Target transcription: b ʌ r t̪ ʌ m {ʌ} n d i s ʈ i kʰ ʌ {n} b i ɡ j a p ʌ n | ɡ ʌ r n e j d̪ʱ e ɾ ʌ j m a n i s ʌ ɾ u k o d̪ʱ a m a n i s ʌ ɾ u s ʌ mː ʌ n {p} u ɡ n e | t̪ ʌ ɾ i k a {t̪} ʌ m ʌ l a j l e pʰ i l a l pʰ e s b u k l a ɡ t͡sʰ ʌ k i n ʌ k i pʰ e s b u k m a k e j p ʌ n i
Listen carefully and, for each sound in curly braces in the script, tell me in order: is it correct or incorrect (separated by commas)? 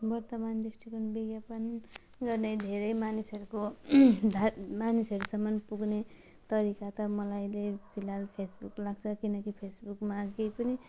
incorrect, correct, correct, correct